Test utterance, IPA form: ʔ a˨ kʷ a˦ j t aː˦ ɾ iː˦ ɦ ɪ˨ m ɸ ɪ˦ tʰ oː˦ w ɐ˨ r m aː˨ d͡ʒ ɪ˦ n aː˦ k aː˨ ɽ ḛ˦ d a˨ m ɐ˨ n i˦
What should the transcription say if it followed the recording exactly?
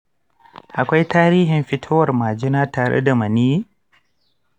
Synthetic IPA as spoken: ʔ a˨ kʷ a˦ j t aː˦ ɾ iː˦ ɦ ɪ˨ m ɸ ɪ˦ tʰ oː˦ w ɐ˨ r m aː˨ d͡ʒ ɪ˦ n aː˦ t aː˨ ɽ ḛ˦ d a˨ m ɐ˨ n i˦